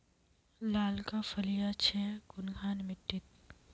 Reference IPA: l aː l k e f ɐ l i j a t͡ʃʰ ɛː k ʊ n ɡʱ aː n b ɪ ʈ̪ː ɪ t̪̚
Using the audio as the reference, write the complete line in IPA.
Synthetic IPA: l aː l k a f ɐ l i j a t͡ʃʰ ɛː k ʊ n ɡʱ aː n m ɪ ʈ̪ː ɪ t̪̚